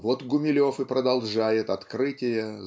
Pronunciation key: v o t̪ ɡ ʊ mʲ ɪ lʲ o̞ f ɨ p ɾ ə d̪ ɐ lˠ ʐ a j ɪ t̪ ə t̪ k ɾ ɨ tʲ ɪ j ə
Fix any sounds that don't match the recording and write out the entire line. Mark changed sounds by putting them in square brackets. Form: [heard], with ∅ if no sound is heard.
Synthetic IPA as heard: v o t̪ ɡ ʊ mʲ ɪ lʲ o̞ f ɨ p ɾ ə d̪ ɐ lˠ ʐ a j ɪ t̪ [ɐ] t̪ k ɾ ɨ tʲ ɪ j ə